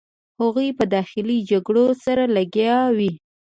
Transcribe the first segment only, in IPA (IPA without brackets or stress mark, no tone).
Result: h